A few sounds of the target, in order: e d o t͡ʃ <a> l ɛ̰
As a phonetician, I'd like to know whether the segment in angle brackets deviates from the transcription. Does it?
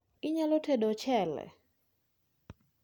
yes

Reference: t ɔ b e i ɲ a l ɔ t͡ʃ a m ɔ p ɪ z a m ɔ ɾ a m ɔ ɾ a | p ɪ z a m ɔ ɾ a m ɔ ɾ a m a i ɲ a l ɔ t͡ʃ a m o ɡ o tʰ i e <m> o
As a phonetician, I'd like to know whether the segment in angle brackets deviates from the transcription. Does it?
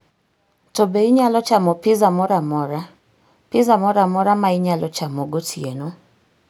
yes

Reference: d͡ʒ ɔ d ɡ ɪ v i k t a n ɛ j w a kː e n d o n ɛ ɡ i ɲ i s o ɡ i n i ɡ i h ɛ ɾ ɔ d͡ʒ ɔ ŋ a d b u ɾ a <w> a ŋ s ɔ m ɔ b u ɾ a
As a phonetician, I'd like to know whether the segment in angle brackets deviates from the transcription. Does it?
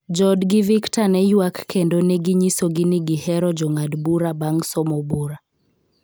yes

